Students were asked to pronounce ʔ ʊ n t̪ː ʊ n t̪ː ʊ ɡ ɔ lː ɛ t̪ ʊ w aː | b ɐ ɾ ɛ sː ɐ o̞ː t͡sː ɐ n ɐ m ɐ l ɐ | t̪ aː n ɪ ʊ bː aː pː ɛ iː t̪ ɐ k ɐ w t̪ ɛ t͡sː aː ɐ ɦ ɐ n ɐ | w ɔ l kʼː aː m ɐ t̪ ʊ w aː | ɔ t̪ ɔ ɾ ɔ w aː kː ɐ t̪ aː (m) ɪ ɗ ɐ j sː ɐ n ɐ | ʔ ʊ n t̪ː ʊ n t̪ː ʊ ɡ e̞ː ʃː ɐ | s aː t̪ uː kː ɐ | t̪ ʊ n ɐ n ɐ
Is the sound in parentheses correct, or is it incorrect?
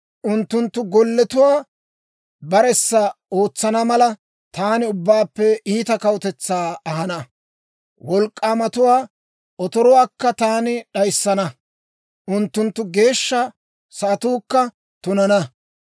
incorrect